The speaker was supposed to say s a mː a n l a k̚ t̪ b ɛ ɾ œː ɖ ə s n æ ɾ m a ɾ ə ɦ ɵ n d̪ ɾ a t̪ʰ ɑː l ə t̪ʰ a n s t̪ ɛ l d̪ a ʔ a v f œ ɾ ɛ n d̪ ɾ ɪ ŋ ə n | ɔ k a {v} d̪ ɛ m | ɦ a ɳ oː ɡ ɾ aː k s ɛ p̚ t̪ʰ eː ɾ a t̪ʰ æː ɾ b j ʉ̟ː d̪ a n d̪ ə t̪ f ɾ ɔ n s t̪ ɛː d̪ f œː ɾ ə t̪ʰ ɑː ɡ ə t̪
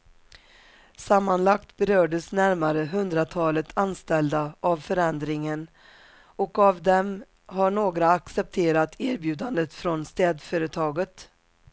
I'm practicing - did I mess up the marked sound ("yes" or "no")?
no